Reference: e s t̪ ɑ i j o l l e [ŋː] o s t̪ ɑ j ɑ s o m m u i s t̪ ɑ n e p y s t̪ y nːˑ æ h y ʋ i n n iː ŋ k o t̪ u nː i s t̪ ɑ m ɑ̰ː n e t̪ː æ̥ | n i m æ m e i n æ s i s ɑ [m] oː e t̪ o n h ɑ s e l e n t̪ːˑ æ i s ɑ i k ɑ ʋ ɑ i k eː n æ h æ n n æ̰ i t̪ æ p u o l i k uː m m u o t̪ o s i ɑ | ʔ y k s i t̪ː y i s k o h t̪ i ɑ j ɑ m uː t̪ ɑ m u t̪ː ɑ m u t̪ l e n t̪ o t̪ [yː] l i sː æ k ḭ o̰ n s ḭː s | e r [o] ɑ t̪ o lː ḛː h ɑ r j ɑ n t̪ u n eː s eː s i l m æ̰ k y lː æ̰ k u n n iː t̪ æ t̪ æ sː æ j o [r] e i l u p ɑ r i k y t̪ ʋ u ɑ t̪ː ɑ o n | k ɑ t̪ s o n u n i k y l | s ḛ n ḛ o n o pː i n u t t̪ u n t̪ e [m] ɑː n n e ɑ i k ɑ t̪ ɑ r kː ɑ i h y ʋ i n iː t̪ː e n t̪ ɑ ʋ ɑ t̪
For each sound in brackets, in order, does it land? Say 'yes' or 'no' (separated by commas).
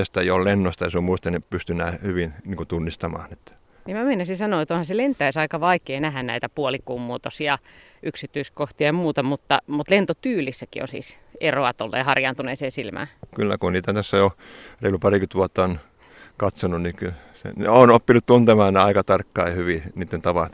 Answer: no, no, yes, yes, yes, yes